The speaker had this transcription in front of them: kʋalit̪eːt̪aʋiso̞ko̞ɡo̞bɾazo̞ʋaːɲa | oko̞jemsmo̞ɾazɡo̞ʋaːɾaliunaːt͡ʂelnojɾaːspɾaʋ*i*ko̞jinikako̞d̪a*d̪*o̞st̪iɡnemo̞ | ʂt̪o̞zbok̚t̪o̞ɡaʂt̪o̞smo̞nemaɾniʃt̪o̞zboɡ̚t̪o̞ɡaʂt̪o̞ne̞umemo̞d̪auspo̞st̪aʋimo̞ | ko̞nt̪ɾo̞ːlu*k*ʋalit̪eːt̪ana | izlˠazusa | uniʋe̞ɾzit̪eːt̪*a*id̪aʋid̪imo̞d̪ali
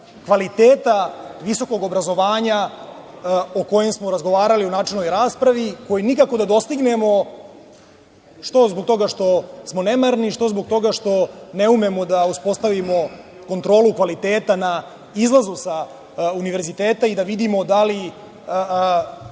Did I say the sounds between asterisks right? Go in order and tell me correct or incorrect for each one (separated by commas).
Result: correct, correct, correct, correct